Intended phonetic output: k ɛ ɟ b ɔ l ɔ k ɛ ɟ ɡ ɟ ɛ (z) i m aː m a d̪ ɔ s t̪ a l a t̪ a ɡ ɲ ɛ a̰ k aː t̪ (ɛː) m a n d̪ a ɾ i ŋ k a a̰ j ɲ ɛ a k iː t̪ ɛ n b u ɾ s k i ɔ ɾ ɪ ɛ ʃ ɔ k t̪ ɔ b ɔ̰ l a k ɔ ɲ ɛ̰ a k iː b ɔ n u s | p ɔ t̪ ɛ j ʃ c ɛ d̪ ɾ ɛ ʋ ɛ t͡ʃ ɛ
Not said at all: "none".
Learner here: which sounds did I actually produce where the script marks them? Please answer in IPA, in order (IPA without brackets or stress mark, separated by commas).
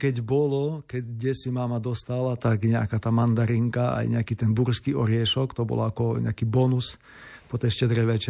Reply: s, aː